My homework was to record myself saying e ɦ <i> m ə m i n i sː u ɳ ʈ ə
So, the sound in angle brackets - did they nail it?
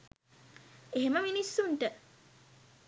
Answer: no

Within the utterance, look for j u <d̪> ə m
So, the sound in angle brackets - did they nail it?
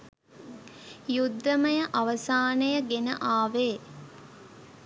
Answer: no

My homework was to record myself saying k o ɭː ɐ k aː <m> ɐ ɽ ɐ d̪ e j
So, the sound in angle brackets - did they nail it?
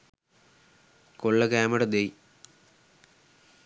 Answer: yes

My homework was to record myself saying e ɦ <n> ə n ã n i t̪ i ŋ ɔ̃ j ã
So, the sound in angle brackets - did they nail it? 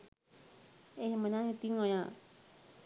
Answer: no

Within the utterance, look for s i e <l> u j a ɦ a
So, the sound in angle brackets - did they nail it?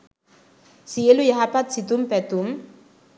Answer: yes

